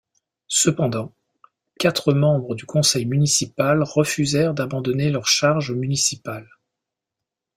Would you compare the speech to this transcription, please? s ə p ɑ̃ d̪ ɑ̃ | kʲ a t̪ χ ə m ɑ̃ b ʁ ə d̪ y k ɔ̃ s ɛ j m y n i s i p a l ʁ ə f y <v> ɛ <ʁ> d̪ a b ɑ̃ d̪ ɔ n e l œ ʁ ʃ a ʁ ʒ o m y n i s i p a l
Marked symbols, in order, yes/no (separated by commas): no, yes